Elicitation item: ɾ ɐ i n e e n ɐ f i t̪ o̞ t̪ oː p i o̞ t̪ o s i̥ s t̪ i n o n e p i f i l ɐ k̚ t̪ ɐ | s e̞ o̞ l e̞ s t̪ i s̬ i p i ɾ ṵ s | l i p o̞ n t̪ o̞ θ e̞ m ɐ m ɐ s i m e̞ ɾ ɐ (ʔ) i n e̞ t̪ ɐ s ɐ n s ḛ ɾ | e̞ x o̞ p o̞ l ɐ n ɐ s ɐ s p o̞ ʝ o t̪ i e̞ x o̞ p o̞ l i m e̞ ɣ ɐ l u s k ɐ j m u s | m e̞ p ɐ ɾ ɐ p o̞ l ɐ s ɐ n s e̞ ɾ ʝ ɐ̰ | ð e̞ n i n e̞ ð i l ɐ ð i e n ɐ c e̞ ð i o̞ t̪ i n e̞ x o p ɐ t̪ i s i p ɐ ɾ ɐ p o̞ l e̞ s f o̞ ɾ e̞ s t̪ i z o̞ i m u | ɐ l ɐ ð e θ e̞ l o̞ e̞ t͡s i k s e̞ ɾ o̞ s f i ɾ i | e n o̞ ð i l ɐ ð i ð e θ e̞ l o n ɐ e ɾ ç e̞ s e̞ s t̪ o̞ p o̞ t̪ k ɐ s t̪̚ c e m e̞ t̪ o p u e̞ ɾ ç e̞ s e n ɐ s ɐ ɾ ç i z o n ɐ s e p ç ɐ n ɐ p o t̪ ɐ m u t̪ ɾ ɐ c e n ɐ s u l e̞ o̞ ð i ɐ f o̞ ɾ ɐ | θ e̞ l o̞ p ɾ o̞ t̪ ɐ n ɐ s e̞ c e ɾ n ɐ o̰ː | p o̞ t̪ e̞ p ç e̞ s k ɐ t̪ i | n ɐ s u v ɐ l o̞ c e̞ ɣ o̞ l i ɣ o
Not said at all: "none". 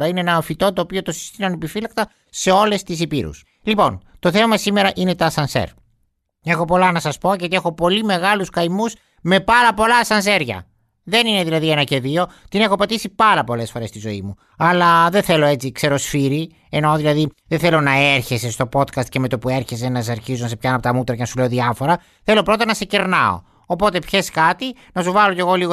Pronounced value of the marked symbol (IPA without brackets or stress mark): ʔ